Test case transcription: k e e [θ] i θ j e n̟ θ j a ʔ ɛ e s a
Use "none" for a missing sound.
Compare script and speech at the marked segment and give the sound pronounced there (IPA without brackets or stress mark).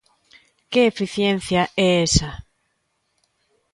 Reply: f